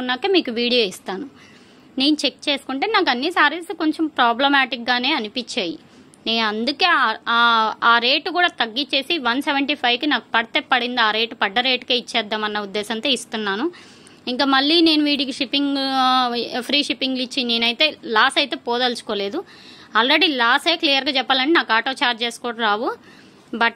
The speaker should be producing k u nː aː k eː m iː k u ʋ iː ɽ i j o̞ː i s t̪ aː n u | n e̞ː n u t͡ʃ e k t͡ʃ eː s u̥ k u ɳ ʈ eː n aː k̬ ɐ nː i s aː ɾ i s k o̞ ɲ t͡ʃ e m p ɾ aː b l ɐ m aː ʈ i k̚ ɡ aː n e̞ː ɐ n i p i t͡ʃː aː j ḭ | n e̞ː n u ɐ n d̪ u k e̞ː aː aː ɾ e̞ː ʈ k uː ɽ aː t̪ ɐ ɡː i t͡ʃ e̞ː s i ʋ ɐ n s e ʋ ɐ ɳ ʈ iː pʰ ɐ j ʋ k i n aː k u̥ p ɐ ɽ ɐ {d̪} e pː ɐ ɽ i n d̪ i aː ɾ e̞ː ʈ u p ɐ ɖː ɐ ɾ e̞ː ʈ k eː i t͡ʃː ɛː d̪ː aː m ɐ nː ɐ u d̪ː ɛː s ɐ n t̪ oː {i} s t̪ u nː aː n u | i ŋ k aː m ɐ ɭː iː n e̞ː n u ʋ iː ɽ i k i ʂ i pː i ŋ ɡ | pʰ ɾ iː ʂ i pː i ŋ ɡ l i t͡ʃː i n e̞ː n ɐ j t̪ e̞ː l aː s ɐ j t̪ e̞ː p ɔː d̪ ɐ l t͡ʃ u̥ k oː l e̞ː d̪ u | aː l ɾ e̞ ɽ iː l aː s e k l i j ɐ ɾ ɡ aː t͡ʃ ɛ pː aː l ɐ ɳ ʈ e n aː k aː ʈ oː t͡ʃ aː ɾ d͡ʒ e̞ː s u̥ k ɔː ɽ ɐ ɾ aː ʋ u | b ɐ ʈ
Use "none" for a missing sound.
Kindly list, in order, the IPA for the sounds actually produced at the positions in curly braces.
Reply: t̪, i

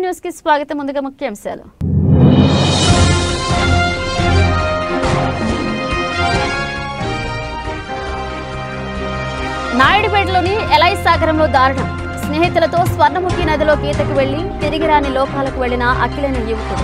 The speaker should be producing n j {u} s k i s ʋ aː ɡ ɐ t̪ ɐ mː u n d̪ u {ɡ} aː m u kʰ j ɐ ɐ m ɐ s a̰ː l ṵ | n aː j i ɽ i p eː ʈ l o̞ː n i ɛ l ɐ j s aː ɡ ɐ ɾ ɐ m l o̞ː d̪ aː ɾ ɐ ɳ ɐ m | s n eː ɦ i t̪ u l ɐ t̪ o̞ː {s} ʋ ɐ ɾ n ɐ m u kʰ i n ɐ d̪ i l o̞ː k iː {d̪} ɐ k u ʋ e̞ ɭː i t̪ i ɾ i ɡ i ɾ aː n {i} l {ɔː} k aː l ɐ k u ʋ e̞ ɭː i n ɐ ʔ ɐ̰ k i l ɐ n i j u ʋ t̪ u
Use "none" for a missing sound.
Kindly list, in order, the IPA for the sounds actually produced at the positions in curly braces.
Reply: uː, ɡ, s, t̪, i, ɔː

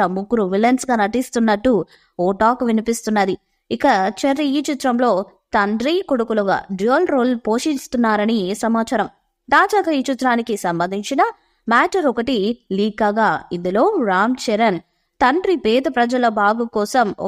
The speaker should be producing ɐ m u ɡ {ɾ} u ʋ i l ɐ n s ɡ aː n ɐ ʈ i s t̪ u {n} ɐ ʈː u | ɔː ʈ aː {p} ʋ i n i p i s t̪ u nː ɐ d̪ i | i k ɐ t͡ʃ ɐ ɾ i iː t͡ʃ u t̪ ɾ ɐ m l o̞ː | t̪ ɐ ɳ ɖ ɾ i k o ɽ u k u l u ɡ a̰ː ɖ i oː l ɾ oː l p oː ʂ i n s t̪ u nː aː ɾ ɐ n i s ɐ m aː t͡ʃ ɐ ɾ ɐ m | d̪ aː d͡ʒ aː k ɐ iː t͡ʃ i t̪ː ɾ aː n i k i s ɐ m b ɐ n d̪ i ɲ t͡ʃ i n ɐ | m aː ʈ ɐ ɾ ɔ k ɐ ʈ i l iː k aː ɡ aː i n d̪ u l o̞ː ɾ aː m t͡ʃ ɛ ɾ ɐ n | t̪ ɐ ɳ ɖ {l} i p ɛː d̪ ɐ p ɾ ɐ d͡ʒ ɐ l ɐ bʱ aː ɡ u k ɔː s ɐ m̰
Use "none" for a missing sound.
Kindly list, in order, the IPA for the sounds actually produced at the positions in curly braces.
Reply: ɾ, nː, k, ɾ

